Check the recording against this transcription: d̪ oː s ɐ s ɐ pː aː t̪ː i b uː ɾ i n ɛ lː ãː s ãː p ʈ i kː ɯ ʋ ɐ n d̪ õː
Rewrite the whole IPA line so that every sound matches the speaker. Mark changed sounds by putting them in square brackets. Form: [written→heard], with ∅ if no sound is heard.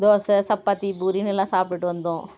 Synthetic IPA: d̪ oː s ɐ s ɐ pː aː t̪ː i b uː ɾ i n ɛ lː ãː s [ãː→aː] p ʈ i [kː→ʈː] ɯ ʋ ɐ n d̪ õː

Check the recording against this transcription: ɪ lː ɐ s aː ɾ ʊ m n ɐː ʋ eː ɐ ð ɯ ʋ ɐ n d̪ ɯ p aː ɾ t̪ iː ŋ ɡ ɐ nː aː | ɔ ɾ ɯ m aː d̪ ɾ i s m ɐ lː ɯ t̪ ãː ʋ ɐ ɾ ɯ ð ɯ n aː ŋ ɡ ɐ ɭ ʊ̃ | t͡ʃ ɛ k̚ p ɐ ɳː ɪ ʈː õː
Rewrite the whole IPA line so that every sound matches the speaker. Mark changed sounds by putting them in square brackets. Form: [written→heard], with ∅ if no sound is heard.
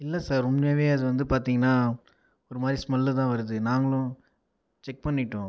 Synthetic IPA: ɪ lː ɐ s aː ɾ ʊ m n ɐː ʋ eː ɐ ð ɯ ʋ ɐ n d̪ ɯ p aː ɾ t̪ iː ŋ ɡ ɐ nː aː | ɔ ɾ ɯ m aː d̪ ɾ i s m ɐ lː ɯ t̪ ãː ʋ ɐ ɾ ɯ ð ɯ n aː ŋ ɡ ɐ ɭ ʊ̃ | t͡ʃ ɛ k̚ p ɐ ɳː ɪ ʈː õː

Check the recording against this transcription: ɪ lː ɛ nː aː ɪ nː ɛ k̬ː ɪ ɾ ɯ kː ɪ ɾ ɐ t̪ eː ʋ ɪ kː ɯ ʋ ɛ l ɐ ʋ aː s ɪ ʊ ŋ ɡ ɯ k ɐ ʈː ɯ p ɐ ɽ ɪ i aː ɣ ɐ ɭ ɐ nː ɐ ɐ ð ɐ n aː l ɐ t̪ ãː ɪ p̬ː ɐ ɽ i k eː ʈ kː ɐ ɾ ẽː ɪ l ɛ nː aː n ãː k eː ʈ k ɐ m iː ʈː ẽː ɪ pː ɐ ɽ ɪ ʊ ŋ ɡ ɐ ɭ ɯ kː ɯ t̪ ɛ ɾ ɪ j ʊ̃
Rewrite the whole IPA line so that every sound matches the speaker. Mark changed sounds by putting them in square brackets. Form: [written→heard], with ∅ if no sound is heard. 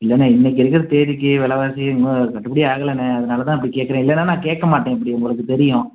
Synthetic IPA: ɪ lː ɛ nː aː ɪ nː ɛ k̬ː ɪ ɾ ɯ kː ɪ ɾ ɐ t̪ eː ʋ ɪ kː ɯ ʋ ɛ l ɐ ʋ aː s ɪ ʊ ŋ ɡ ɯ k ɐ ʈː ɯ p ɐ ɽ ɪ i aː ɣ ɐ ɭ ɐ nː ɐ ɐ ð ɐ n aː l ɐ t̪ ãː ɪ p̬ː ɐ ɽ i k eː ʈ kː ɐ ɾ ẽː ɪ [l→lː] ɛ nː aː n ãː k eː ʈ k ɐ m [iː→aː] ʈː ẽː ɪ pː ɐ ɽ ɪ ʊ ŋ ɡ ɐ ɭ ɯ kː ɯ t̪ ɛ ɾ ɪ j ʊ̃

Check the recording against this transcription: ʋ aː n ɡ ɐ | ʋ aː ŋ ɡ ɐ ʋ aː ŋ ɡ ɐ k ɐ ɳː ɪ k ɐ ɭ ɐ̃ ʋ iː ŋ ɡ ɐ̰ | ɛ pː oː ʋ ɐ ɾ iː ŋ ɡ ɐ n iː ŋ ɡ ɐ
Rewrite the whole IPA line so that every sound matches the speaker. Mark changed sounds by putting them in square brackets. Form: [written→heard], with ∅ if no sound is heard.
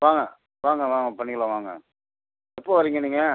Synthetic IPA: ʋ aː [n→ŋ] ɡ ɐ | ʋ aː ŋ ɡ ɐ ʋ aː ŋ ɡ ɐ [k→p] ɐ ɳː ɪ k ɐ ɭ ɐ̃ ʋ [iː→aː] ŋ ɡ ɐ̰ | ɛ pː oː ʋ ɐ ɾ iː ŋ ɡ ɐ n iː ŋ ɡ ɐ

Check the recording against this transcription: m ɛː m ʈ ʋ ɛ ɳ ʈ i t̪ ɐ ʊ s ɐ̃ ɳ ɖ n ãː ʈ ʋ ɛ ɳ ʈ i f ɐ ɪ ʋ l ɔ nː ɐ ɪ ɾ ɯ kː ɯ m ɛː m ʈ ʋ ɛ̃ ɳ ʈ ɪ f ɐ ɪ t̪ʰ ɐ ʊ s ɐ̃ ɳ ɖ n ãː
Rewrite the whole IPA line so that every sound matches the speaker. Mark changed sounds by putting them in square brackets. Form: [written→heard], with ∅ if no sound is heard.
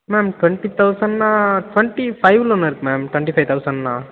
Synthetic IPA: m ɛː m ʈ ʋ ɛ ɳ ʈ i t̪ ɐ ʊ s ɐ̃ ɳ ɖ n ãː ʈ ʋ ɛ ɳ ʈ i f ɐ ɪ ʋ l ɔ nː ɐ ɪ ɾ ɯ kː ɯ m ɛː m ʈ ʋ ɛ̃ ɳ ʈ [ɪ→i] f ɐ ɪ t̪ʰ ɐ ʊ s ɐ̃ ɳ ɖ n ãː

